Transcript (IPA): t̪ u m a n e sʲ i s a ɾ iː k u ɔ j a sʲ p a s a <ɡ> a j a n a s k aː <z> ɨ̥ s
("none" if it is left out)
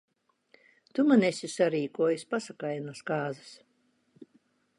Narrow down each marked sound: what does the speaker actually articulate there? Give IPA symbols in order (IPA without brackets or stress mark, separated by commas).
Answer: k, z